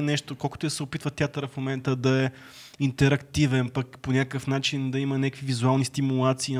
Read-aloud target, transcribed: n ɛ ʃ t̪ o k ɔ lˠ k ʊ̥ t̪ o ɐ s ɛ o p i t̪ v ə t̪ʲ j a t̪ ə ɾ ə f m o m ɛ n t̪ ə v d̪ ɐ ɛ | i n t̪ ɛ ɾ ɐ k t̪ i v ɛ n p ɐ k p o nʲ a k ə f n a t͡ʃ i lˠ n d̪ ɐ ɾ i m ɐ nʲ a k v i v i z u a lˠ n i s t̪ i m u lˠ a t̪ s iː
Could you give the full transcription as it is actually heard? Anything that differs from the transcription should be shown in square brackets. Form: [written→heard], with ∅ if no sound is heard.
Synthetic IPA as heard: n ɛ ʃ t̪ o k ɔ lˠ k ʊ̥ t̪ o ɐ s ɛ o p i t̪ v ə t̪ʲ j a t̪ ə ɾ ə f m o m ɛ n t̪ ə [v→∅] d̪ ɐ ɛ | i n t̪ ɛ ɾ ɐ k t̪ i v ɛ n p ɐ k p o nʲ a k ə f n a t͡ʃ i [lˠ→∅] n d̪ ɐ [ɾ→∅] i m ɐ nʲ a k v i v i z u a lˠ n i s t̪ i m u lˠ a t̪ s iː